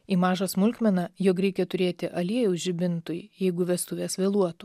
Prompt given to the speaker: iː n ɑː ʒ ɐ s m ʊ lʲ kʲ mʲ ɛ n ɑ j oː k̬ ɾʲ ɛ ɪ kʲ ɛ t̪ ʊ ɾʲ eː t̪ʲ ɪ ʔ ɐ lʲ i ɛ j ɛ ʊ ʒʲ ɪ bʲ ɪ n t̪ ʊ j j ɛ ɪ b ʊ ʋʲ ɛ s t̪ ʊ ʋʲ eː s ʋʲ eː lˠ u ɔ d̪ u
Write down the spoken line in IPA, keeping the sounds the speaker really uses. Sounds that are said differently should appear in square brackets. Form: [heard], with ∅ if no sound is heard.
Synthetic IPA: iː [m] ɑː ʒ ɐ s m ʊ lʲ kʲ mʲ ɛ n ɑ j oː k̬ ɾʲ ɛ ɪ kʲ ɛ t̪ ʊ ɾʲ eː t̪ʲ ɪ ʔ ɐ lʲ i ɛ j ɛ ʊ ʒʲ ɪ bʲ ɪ n t̪ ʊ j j ɛ ɪ [ɡ] ʊ ʋʲ ɛ s t̪ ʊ ʋʲ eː s ʋʲ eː lˠ u ɔ [t̪] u